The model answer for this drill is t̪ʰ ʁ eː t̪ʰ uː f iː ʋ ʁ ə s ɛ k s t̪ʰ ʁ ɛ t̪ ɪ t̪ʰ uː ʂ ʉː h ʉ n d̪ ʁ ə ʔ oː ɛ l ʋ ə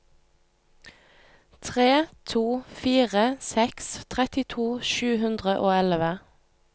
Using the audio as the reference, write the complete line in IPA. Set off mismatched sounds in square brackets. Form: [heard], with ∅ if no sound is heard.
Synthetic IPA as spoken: t̪ʰ ʁ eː t̪ʰ uː f iː [∅] ʁ ə s ɛ k s t̪ʰ ʁ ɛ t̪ ɪ t̪ʰ uː [ʃ] ʉː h ʉ n d̪ ʁ ə ʔ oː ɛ l ʋ ə